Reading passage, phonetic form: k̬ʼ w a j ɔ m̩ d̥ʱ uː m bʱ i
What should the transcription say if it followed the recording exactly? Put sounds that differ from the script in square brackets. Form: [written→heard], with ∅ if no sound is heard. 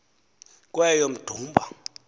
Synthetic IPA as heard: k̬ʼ w [a→ɛ] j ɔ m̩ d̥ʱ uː m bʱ [i→a]